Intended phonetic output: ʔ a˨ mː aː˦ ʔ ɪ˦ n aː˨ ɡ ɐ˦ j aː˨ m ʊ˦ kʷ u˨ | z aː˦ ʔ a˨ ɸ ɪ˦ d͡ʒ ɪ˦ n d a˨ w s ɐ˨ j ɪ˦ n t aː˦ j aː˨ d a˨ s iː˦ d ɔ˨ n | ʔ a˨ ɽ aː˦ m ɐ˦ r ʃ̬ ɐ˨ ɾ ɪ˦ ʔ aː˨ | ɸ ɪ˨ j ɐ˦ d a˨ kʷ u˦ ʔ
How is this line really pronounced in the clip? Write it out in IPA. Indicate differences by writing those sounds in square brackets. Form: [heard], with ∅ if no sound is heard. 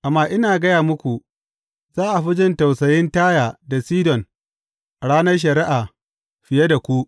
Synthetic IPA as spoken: ʔ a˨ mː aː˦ ʔ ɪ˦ n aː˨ ɡ ɐ˦ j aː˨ m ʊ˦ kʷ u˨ | z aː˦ ʔ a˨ ɸ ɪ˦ d͡ʒ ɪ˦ n [t] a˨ w s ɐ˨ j ɪ˦ n t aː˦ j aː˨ d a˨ s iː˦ d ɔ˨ n | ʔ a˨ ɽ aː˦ [n] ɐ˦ r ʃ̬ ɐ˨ ɾ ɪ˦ ʔ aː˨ | ɸ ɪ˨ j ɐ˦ d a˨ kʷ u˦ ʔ